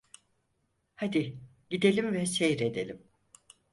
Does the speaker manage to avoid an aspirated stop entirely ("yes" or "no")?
yes